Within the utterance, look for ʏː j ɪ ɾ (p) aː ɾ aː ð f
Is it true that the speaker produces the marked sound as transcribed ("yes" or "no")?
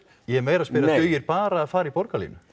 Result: yes